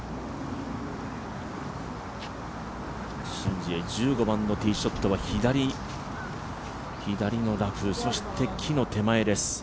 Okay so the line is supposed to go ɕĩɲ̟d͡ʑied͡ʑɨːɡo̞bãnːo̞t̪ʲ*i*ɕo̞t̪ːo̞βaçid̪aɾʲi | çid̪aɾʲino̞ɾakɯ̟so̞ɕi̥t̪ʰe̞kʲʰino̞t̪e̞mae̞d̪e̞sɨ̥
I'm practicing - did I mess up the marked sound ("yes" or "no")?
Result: yes